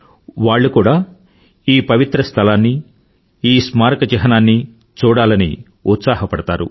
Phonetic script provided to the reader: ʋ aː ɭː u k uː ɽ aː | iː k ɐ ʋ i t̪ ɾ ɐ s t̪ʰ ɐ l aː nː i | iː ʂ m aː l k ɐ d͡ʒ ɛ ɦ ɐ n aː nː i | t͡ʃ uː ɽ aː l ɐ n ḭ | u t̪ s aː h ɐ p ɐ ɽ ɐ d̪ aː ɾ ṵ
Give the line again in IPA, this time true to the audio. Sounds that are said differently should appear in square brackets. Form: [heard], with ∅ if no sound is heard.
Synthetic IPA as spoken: ʋ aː ɭː u k uː ɽ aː | iː [p] ɐ ʋ i t̪ ɾ ɐ s t̪ʰ ɐ l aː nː i | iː [s] m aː [ɾ] k ɐ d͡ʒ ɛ ɦ ɐ n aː nː i | t͡ʃ uː ɽ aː l ɐ n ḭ | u t̪ s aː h ɐ p ɐ ɽ ɐ [t̪] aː ɾ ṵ